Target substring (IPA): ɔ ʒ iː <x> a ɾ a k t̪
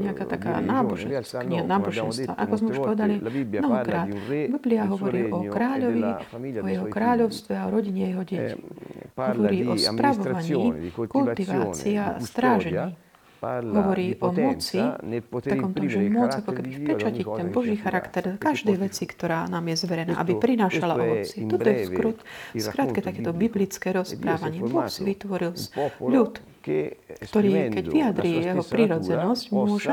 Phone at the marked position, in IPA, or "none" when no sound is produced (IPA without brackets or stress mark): x